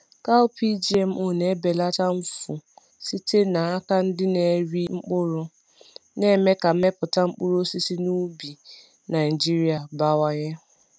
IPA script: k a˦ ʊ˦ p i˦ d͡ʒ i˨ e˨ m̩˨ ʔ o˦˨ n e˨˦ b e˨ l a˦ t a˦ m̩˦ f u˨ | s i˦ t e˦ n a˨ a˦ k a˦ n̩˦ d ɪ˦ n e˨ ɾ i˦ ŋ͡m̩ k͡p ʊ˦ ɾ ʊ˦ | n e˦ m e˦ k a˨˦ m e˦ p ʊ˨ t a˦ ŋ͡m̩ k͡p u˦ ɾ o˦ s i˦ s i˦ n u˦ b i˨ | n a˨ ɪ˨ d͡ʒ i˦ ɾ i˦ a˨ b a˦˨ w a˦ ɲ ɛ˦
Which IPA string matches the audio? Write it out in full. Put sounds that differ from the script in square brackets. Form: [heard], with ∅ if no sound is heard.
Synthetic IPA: k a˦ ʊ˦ p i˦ d͡ʒ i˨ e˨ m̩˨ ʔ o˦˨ n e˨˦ b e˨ l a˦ t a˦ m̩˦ f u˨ | s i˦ t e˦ n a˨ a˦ k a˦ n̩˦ d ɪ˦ n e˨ ɾ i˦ ŋ͡m̩ k͡p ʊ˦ ɾ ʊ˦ | n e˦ m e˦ k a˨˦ m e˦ p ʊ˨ t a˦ ŋ͡m̩ k͡p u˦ ɾ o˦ s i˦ s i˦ n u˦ b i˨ | n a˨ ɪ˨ d͡ʒ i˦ ɾ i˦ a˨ b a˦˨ w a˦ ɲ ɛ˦

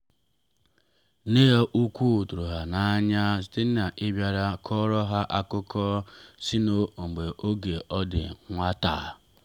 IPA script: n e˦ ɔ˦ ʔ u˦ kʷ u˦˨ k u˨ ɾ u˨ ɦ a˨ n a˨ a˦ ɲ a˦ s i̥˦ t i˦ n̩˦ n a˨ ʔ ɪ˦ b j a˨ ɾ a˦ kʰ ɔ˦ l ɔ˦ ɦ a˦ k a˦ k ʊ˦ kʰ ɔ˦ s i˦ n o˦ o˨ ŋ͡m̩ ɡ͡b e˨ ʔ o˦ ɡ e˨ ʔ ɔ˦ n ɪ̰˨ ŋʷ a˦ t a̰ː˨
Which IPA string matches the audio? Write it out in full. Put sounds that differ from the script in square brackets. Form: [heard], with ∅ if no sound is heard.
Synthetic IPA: n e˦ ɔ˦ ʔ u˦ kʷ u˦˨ [t] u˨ ɾ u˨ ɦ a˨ n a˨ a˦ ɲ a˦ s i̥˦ t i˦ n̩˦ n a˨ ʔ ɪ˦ b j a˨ ɾ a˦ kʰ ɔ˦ [ɾ] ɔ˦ ɦ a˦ [ʔ] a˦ k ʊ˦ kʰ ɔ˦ s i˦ n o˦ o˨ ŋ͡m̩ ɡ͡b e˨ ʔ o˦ ɡ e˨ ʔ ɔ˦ [d] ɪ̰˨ ŋʷ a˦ t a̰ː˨

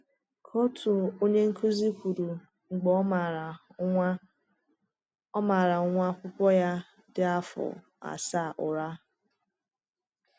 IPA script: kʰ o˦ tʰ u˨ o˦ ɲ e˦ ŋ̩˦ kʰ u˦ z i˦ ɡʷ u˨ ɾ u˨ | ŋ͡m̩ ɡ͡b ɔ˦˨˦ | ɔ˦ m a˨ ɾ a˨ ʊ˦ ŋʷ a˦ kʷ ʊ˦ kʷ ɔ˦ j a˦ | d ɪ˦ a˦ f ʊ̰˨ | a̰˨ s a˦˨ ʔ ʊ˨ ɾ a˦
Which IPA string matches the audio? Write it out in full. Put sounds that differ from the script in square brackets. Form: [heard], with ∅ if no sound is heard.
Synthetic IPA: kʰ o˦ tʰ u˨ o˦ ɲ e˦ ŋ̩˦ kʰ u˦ z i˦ [kʷ] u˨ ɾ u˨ | ŋ͡m̩ ɡ͡b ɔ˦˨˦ | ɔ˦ m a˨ ɾ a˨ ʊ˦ ŋʷ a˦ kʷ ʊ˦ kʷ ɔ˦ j a˦ | d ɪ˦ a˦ f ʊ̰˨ | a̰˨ s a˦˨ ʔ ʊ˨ ɾ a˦

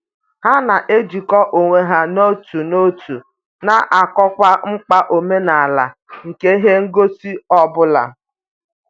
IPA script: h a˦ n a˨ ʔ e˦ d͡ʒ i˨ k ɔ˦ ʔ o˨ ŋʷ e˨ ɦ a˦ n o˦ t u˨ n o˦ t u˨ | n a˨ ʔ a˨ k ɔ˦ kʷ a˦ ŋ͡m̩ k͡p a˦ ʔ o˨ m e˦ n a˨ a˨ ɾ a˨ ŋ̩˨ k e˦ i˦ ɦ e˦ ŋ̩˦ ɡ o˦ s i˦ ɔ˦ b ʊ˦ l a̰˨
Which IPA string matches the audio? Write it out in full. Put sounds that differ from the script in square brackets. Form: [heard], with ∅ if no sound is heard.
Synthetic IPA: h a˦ n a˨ ʔ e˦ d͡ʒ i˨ k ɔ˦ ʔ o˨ ŋʷ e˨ ɦ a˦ n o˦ t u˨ n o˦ t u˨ | n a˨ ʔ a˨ k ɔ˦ kʷ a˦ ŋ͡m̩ k͡p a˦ ʔ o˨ m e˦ n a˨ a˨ [l] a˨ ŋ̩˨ k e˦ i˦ ɦ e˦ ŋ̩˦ ɡ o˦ s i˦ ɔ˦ b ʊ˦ l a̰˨

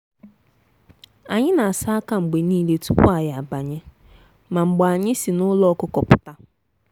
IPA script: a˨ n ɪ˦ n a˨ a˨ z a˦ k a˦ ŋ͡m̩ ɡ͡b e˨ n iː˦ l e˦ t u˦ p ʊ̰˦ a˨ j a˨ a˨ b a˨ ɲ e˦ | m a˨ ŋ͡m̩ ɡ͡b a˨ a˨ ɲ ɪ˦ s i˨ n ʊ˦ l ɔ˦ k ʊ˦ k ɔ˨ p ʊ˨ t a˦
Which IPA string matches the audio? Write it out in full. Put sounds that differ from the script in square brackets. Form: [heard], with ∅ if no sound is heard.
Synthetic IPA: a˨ [ɲ] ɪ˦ n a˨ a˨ [s] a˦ k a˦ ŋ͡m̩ ɡ͡b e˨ n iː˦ l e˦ t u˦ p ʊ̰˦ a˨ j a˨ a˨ b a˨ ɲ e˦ | m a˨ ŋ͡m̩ ɡ͡b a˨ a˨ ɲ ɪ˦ s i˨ n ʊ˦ l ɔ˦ k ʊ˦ k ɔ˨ p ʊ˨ t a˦

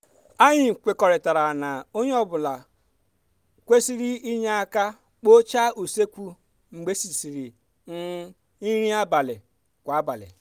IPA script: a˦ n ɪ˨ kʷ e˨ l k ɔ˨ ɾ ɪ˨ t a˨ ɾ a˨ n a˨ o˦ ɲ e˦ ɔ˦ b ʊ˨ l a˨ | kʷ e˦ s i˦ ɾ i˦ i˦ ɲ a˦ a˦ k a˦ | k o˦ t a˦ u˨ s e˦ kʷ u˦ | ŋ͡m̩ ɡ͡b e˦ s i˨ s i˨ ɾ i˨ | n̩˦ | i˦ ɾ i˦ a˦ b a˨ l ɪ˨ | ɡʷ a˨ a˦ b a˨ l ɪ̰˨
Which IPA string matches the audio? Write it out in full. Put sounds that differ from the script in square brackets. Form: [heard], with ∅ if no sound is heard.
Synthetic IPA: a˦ [ɲ] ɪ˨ kʷ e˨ [∅] k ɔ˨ ɾ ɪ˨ t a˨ ɾ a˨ n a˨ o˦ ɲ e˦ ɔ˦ b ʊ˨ l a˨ | kʷ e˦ s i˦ ɾ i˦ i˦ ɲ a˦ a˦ k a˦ | [k͡p] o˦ [t͡ʃ] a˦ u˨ s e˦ kʷ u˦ | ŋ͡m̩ ɡ͡b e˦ s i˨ s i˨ ɾ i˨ | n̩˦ | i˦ ɾ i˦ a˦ b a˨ l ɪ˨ | [kʷ] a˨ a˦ b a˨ l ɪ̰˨

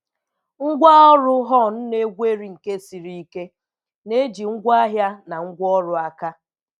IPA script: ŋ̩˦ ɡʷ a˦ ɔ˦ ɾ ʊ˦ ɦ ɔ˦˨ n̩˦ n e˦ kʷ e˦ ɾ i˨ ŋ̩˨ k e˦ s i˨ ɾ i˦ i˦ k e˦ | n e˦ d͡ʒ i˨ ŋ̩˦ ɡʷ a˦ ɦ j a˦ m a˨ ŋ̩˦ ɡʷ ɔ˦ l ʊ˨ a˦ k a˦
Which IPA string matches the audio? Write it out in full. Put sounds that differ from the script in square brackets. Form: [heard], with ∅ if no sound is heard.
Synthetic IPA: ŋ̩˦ ɡʷ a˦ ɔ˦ ɾ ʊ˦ ɦ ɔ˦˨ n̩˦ n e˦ [ɡʷ] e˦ ɾ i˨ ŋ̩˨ k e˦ s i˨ ɾ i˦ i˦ k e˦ | n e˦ d͡ʒ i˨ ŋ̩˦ ɡʷ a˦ ɦ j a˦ [n] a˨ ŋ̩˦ ɡʷ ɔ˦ [ɾ] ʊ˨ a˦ k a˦

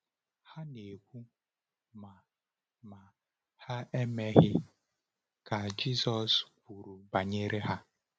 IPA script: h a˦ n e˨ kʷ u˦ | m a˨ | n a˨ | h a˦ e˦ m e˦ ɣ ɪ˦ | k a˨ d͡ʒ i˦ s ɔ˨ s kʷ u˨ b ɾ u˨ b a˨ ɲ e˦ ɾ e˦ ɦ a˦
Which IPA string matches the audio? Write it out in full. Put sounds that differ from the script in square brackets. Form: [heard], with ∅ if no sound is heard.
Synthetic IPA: h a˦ n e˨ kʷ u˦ | m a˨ | [m] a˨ | h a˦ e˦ m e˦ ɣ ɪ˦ | k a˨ d͡ʒ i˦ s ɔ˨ s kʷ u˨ [∅] ɾ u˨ b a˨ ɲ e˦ ɾ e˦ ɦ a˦

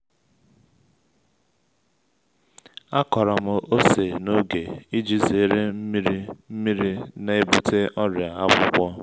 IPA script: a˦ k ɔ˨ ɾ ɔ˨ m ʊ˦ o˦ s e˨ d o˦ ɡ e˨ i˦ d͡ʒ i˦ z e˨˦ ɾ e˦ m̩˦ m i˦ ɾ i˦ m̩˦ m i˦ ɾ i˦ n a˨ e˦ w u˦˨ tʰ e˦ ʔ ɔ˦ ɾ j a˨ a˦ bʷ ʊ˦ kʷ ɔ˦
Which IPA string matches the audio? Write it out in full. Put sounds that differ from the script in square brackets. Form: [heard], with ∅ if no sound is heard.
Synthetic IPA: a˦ k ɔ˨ ɾ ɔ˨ m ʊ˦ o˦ s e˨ [n] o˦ ɡ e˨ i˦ d͡ʒ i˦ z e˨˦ ɾ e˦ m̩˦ m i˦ ɾ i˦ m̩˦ m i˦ ɾ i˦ n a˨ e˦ [b] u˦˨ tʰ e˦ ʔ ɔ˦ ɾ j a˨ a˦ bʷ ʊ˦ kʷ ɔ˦

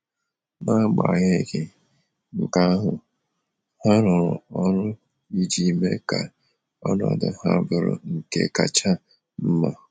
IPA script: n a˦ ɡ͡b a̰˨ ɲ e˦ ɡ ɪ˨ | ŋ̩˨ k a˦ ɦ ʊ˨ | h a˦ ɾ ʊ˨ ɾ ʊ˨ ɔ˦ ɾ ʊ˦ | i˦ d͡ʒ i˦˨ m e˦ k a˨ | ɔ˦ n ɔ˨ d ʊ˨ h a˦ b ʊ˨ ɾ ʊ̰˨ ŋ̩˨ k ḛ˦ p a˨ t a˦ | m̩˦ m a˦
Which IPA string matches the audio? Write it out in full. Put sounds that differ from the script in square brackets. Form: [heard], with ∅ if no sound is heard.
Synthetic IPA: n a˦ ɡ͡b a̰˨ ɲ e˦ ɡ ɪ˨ | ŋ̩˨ k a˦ ɦ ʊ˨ | h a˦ ɾ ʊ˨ ɾ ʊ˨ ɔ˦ ɾ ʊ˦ | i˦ d͡ʒ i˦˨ m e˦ k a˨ | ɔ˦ n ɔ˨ d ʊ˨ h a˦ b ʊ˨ ɾ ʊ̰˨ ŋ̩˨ k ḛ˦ [k] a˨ [t͡ʃ] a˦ | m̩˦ m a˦

